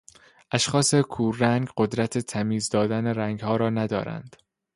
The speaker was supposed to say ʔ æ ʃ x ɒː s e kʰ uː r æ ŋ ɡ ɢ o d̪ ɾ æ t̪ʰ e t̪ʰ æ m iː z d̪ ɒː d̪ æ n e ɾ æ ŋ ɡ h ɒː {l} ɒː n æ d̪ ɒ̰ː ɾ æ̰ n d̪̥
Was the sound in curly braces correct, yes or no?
no